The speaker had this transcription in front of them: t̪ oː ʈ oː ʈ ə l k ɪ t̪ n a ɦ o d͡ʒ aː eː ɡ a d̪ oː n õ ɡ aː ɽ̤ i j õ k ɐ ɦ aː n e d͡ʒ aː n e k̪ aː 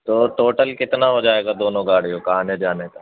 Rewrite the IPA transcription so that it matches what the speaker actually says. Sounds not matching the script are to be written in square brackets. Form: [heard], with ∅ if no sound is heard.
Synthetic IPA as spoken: t̪ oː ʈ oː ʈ ə l k ɪ t̪ n a ɦ o d͡ʒ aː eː ɡ a d̪ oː n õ ɡ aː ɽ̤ i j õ k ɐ ɦ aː n e d͡ʒ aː n e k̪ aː